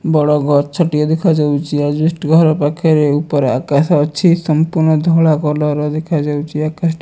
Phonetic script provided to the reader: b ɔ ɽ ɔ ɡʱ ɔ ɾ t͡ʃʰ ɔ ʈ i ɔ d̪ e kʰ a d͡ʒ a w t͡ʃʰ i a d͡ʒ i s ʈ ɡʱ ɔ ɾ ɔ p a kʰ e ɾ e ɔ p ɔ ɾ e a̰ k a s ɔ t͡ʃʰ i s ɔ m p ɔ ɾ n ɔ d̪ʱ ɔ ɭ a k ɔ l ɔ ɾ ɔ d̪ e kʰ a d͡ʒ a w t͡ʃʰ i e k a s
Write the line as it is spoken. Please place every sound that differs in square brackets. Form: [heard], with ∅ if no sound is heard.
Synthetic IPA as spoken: b ɔ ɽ ɔ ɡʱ ɔ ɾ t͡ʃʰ ɔ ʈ i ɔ d̪ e kʰ a d͡ʒ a w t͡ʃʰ i a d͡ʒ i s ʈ ɡʱ ɔ ɾ ɔ p a kʰ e ɾ e [u] p ɔ ɾ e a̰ k a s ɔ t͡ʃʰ i s ɔ m p [u] ɾ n ɔ d̪ʱ ɔ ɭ a k ɔ l ɔ ɾ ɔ d̪ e kʰ a d͡ʒ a w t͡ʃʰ i [a] k a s